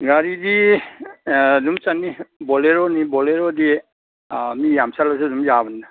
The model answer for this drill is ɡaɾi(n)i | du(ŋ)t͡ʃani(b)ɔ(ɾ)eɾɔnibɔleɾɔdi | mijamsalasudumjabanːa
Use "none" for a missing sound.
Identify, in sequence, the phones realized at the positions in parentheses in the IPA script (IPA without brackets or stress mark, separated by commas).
d, m, b, l